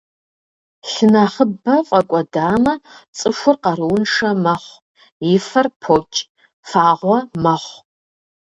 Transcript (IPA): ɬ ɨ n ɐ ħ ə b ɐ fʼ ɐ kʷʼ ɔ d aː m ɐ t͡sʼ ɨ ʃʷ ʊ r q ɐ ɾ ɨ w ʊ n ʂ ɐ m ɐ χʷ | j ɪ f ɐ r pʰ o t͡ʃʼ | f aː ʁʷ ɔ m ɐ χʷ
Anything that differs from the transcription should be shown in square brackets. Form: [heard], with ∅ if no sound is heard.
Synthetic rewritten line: ɬ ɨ n ɐ [χ] ə b ɐ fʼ ɐ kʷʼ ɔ d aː m ɐ t͡sʼ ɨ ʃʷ ʊ r q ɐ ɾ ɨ w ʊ n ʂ ɐ m ɐ χʷ | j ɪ f ɐ r pʰ o t͡ʃʼ | f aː ʁʷ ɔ m ɐ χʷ

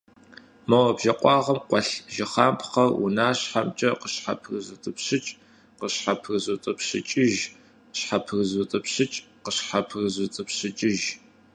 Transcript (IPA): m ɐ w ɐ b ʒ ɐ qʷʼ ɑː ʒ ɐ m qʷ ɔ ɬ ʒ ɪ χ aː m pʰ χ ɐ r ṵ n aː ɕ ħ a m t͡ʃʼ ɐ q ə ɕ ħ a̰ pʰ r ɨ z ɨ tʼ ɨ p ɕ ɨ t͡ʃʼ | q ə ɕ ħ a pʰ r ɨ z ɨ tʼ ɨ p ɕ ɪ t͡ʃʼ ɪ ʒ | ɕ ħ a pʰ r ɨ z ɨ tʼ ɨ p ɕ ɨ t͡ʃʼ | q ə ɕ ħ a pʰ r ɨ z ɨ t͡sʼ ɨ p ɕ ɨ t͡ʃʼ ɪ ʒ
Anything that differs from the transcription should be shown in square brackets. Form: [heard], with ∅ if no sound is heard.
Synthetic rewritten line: m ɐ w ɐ b ʒ ɐ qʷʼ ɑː [ʁ] ɐ m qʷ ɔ ɬ ʒ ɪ χ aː m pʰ χ ɐ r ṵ n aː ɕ ħ a m t͡ʃʼ ɐ q ə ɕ ħ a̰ pʰ r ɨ z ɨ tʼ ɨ p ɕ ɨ t͡ʃʼ | q ə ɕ ħ a pʰ r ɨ z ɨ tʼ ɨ p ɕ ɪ t͡ʃʼ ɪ ʒ | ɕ ħ a pʰ r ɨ z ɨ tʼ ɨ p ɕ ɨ t͡ʃʼ | q ə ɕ ħ a pʰ r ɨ z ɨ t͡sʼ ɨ p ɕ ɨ t͡ʃʼ ɪ ʒ

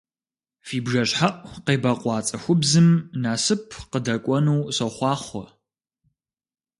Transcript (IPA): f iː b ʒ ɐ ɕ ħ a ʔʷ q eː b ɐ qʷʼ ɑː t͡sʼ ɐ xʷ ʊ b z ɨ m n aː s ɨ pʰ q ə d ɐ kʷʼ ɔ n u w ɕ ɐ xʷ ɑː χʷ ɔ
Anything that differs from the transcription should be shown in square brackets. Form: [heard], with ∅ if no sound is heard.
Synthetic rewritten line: f iː b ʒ ɐ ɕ ħ a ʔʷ q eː b ɐ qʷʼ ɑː t͡sʼ ɐ xʷ ʊ b z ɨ m n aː s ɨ pʰ q ə d ɐ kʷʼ ɔ n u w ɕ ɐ [χʷ] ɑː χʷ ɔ

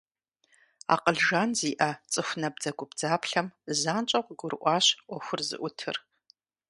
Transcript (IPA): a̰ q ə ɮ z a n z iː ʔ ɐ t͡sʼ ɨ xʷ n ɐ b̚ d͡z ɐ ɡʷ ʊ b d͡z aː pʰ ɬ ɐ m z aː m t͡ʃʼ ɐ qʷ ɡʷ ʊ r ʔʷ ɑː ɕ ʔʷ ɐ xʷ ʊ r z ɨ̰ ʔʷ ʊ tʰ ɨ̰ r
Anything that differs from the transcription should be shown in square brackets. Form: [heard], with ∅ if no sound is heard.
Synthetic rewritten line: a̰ q ə ɮ [ʒ] a n z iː ʔ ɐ t͡sʼ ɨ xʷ n ɐ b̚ d͡z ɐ ɡʷ ʊ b d͡z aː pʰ ɬ ɐ m z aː [n] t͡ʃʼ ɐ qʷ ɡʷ ʊ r ʔʷ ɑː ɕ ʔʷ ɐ xʷ ʊ r z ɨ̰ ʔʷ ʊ tʰ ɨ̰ r

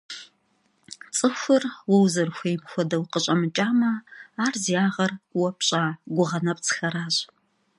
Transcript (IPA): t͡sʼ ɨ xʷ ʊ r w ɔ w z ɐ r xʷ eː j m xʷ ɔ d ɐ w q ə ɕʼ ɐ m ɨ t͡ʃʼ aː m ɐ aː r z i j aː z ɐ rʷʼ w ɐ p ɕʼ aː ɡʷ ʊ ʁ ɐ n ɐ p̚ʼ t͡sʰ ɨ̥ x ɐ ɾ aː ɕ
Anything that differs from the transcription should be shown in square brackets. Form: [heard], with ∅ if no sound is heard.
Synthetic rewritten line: t͡sʼ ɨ xʷ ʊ r w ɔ w z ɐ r xʷ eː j m xʷ ɔ d ɐ w q ə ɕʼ ɐ m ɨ t͡ʃʼ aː m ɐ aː r z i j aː [ʁ] ɐ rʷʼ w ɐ p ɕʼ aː ɡʷ ʊ ʁ ɐ n ɐ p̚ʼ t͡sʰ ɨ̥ x ɐ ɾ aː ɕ

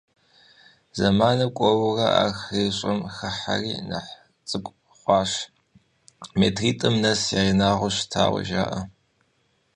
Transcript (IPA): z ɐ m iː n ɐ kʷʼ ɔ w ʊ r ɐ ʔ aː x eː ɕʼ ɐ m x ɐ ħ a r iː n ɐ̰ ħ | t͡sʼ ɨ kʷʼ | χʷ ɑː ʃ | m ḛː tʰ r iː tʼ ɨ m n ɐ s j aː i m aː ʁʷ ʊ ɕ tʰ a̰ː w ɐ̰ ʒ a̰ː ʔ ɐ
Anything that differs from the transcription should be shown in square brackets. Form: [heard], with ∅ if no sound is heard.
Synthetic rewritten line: z ɐ m [aː] n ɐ kʷʼ ɔ w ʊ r ɐ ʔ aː x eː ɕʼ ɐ m x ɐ ħ a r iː n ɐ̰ ħ | t͡sʼ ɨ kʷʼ | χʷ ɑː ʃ | m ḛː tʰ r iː tʼ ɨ m n ɐ s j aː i [n] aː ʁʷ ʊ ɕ tʰ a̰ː w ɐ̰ ʒ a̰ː ʔ ɐ

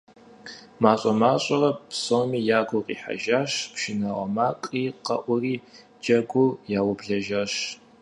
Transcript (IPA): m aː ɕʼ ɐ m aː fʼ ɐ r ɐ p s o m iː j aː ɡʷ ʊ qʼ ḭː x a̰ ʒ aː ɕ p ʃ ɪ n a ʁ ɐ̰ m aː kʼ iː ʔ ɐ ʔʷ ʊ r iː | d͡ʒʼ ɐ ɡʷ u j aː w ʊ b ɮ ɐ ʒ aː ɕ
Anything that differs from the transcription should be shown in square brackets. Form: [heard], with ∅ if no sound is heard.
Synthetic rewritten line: m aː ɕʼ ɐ m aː [ɕʼ] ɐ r ɐ p s o m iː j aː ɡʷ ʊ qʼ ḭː [ħ] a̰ ʒ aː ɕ p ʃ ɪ n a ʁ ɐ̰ m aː kʼ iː [q] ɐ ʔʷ ʊ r iː | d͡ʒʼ ɐ ɡʷ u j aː w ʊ b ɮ ɐ ʒ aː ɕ

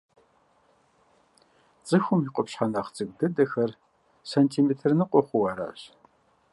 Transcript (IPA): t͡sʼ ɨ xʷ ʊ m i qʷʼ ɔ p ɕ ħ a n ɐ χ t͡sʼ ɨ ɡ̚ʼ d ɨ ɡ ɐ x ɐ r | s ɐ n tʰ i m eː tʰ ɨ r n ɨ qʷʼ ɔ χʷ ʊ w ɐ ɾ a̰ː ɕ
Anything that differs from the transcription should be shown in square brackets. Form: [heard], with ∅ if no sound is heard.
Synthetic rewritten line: t͡sʼ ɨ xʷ ʊ m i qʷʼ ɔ p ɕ ħ a n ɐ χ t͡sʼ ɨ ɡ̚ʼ d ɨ [d] ɐ x ɐ r | s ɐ n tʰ i m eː tʰ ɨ r n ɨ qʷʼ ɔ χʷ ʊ w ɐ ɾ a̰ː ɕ

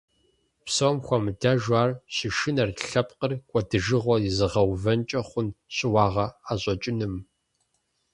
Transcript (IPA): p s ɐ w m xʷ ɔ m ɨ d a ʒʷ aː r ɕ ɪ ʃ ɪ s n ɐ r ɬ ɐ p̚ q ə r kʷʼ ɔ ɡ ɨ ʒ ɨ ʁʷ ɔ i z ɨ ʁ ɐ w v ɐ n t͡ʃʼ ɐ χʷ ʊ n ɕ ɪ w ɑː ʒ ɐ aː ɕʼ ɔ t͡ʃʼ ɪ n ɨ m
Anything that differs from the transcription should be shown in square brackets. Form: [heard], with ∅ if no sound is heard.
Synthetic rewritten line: p s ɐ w m xʷ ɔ m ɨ d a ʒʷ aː r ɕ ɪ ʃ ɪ [∅] n ɐ r ɬ ɐ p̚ q ə r kʷʼ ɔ [d] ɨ ʒ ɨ ʁʷ ɔ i z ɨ ʁ ɐ w v ɐ n t͡ʃʼ ɐ χʷ ʊ n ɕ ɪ w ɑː [ʁ] ɐ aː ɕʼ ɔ t͡ʃʼ ɪ n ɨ m

